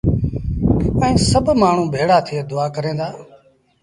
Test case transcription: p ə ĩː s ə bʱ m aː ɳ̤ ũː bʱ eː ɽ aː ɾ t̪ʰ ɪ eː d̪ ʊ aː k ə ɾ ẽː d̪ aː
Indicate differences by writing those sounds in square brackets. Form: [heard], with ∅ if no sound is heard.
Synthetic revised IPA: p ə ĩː s ə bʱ m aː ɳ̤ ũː bʱ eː ɽ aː [∅] t̪ʰ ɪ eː d̪ ʊ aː k ə ɾ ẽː d̪ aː